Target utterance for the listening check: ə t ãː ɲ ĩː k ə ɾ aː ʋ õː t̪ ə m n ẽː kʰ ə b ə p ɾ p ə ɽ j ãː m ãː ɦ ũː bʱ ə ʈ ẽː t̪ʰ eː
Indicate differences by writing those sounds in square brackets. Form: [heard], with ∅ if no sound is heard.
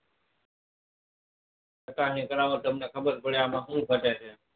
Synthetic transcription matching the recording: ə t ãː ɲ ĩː k ə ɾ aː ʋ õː t̪ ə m n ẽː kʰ ə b ə [∅] ɾ p ə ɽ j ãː m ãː ɦ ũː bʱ ə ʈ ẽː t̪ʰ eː